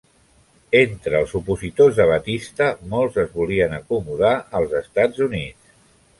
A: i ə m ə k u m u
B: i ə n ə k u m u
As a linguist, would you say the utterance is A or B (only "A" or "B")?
B